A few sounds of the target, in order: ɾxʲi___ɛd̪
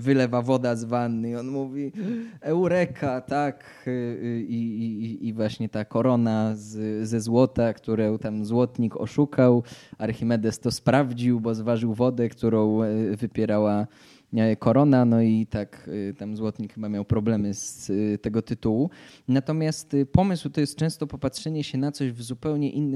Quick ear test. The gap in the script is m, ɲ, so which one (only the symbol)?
m